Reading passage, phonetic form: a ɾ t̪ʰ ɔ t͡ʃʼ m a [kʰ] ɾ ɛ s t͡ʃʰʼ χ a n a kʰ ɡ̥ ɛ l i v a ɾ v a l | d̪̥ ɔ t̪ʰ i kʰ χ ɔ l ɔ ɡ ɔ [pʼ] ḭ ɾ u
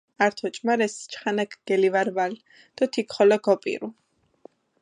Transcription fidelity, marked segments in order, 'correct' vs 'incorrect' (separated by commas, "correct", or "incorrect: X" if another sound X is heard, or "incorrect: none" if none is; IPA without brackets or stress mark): incorrect: none, correct